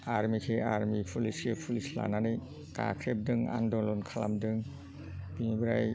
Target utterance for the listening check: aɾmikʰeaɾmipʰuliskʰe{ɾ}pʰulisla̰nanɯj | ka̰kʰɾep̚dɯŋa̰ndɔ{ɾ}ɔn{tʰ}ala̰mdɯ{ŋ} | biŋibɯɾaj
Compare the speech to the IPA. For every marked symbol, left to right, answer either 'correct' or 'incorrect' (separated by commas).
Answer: incorrect, incorrect, incorrect, correct